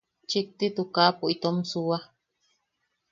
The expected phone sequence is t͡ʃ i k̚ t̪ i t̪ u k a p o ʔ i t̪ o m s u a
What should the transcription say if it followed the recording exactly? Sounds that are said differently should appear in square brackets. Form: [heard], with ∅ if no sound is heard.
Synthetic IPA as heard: t͡ʃ i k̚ t̪ i t̪ u k a p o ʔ i t̪ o m s u a